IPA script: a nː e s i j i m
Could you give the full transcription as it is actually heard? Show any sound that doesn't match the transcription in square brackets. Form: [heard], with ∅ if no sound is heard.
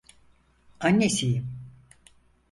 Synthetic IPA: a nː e s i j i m